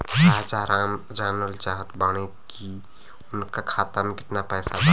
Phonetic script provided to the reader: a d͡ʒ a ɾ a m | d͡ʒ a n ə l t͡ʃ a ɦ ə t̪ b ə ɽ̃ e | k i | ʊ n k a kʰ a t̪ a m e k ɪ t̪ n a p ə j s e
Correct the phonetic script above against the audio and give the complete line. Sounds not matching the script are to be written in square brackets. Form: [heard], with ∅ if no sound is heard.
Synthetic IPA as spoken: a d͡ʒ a ɾ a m | d͡ʒ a n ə l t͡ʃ a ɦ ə t̪ b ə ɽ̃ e | k i | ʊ n k a kʰ a t̪ a m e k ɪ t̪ n a p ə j s [a]